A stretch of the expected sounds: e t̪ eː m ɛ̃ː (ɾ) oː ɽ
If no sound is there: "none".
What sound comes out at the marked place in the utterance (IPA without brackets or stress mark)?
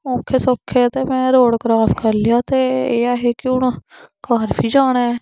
ɾ